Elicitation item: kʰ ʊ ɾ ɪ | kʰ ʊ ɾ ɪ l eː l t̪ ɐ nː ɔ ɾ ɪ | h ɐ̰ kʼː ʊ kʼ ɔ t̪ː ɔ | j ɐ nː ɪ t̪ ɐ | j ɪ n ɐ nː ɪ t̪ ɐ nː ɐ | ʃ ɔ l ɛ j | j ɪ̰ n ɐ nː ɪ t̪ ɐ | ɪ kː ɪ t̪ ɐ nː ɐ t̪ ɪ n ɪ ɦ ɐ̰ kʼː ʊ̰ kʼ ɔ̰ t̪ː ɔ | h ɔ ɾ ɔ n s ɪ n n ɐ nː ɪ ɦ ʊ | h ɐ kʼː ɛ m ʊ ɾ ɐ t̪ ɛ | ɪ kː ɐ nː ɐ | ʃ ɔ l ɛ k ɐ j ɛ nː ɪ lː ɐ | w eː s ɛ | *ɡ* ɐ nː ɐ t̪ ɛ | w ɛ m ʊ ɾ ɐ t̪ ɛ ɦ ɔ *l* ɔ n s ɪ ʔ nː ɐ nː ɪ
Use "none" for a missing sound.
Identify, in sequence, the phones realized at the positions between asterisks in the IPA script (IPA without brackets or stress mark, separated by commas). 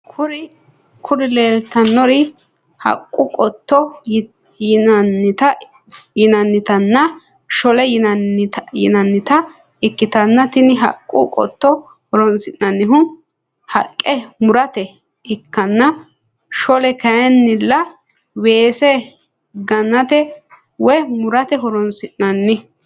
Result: ɡ, ɾ